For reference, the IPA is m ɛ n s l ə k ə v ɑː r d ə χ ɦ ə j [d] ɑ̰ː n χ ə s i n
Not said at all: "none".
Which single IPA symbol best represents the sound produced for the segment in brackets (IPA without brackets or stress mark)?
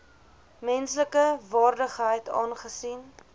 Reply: t